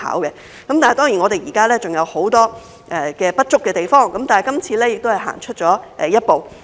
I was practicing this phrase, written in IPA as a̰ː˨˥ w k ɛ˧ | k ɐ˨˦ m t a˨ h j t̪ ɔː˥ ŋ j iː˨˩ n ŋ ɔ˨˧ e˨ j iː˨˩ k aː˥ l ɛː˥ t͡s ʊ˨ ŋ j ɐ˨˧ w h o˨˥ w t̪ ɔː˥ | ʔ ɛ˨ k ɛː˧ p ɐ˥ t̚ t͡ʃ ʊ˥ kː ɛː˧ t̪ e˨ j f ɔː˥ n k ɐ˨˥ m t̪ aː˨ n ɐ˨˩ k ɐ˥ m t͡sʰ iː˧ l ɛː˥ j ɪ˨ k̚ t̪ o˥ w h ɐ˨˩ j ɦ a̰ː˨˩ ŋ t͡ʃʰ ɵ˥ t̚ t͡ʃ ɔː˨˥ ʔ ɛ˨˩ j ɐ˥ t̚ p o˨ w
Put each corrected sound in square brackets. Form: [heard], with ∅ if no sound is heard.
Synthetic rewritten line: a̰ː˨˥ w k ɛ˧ | k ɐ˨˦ m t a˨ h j t̪ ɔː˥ ŋ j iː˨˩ n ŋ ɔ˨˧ e˨ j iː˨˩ k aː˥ l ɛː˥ t͡s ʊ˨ ŋ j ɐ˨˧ w h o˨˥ w t̪ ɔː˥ | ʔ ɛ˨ k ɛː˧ p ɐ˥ t̚ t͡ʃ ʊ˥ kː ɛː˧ t̪ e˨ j f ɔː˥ [ŋ] k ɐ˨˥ m t̪ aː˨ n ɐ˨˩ k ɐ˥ m t͡sʰ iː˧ l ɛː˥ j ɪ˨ k̚ t̪ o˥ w h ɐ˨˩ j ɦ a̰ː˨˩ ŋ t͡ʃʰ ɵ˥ t̚ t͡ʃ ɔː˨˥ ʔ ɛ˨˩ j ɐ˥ t̚ p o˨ w

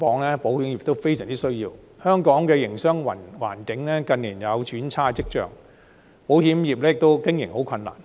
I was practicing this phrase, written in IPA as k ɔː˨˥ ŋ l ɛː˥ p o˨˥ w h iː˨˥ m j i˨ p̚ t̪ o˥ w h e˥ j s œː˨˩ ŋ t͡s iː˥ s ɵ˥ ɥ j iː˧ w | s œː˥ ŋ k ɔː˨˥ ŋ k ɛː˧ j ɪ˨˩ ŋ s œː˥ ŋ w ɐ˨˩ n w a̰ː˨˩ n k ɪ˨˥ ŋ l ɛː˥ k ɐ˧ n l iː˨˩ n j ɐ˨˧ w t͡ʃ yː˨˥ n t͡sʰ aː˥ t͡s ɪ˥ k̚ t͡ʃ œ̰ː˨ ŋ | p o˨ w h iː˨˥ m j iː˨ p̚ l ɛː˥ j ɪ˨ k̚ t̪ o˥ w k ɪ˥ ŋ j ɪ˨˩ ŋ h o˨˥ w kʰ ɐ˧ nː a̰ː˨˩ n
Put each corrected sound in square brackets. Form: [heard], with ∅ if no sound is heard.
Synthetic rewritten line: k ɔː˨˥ ŋ l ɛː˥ p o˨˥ w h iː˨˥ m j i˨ p̚ t̪ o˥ w [f] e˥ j s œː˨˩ ŋ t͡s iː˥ s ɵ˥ ɥ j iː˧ w | [h] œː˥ ŋ k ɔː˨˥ ŋ k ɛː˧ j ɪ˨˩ ŋ s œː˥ ŋ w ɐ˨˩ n w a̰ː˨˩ n k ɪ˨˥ ŋ l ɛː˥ k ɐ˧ n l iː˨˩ n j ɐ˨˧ w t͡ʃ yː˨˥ n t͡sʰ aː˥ t͡s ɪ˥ k̚ t͡ʃ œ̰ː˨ ŋ | p [o˨˥] w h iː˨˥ m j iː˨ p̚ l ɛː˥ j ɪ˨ k̚ t̪ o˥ w k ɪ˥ ŋ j ɪ˨˩ ŋ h o˨˥ w kʰ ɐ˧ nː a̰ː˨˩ n

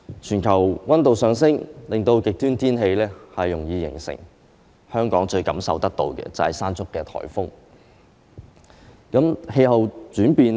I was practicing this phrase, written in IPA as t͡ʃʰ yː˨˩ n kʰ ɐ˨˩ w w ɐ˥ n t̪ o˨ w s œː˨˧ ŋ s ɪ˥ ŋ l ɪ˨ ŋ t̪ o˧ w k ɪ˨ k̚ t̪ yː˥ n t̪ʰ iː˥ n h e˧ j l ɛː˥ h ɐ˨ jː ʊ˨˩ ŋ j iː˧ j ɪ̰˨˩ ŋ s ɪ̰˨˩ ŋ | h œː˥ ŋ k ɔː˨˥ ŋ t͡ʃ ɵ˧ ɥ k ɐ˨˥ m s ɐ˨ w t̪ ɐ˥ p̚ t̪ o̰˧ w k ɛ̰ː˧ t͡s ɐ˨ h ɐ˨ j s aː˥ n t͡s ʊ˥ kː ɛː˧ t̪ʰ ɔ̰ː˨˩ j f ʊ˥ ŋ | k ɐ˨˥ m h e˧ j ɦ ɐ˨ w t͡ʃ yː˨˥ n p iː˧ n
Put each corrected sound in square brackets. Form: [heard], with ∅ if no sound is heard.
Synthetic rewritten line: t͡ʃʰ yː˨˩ n kʰ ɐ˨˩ w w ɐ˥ n t̪ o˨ w s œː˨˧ ŋ s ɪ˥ ŋ l ɪ˨ ŋ t̪ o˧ w k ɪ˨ k̚ t̪ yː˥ n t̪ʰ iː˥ n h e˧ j l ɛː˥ h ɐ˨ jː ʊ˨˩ ŋ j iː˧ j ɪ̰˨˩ ŋ s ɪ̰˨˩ ŋ | h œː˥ ŋ k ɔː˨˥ ŋ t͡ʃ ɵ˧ ɥ k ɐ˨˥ m s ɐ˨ w t̪ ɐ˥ [k̚] t̪ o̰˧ w k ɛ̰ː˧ t͡s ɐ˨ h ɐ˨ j s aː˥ n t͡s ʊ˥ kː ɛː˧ t̪ʰ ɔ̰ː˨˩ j f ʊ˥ ŋ | k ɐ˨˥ m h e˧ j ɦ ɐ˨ w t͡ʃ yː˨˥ n p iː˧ n

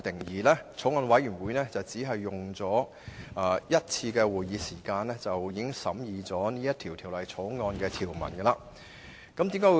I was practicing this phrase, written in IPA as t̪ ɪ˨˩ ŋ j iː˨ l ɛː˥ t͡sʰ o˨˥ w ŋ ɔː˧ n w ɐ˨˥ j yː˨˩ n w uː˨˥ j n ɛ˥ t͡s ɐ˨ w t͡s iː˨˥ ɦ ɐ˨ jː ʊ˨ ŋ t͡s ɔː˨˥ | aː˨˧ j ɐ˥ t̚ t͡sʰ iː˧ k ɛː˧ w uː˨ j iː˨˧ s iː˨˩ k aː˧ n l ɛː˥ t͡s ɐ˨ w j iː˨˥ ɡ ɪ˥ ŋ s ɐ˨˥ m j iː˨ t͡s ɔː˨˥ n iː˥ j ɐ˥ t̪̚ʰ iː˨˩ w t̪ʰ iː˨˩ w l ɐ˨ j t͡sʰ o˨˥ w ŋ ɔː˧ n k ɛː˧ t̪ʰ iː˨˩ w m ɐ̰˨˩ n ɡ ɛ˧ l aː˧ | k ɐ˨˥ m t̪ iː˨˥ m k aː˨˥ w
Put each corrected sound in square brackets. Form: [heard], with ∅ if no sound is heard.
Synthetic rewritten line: t̪ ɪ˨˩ ŋ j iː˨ l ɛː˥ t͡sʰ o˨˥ w ŋ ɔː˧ n w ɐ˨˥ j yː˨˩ n w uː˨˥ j n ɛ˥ t͡s ɐ˨ w t͡s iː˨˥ ɦ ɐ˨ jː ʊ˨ ŋ t͡s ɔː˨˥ | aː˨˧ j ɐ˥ t̚ t͡sʰ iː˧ k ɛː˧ w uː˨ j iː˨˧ s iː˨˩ k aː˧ n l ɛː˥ t͡s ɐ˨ w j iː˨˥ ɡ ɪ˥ ŋ s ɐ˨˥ m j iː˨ t͡s ɔː˨˥ n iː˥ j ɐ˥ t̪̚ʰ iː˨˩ w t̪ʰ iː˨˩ w l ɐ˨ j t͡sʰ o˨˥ w ŋ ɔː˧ n k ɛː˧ t̪ʰ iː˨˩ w m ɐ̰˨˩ n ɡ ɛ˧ l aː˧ | k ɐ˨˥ m t̪ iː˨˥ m k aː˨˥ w

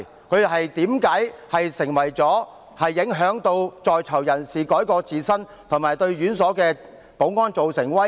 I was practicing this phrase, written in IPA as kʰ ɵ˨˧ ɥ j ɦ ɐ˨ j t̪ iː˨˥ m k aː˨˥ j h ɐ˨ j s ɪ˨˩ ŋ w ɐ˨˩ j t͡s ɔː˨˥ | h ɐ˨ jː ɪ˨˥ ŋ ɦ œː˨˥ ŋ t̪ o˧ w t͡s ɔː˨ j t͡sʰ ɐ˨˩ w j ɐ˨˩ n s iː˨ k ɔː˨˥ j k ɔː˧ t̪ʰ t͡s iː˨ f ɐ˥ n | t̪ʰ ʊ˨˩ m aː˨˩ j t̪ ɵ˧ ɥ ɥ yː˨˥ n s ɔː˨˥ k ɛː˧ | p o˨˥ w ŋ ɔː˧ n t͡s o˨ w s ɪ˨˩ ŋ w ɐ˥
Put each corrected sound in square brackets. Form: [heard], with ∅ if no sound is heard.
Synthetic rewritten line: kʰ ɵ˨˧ ɥ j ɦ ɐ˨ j t̪ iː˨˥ m k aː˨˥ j h ɐ˨ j s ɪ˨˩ ŋ w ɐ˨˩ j t͡s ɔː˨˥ | h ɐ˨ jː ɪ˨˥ ŋ ɦ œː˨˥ ŋ t̪ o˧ w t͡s ɔː˨ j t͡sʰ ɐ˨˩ w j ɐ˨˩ n s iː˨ k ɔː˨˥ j k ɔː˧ [∅] t͡s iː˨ [s] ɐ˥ n | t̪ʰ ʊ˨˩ m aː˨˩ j t̪ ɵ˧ ɥ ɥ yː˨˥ n s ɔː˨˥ k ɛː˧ | p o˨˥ w ŋ [ɔː˥] n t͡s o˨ w s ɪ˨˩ ŋ w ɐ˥

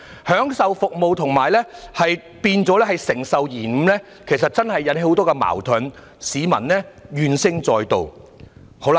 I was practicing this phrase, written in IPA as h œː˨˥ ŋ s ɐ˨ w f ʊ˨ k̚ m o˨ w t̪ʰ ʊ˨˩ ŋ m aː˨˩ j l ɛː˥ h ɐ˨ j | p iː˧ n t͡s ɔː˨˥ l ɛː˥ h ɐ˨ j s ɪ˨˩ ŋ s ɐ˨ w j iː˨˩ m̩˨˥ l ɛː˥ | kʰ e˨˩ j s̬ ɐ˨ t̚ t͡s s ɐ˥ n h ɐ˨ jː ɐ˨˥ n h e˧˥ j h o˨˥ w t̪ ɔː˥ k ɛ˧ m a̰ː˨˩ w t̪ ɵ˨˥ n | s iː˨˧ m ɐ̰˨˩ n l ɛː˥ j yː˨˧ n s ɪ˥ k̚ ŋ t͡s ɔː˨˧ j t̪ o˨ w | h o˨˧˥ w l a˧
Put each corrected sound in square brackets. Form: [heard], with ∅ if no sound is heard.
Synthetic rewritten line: h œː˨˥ ŋ s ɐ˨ w f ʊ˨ k̚ m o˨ w t̪ʰ ʊ˨˩ ŋ m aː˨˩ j l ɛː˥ h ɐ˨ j | p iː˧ n t͡s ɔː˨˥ l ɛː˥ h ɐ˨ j s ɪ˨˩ ŋ s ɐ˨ w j iː˨˩ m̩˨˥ l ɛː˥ | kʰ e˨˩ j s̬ ɐ˨ t̚ t͡s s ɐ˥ n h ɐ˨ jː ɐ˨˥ n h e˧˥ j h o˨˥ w t̪ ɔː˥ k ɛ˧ m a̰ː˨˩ w [t̪ʰ] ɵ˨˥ n | s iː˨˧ m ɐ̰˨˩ n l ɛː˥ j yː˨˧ n s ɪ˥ [∅] ŋ t͡s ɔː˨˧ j t̪ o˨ w | h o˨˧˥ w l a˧

